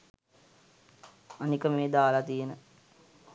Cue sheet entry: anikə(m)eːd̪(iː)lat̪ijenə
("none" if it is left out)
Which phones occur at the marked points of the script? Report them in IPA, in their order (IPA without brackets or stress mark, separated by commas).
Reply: m, aː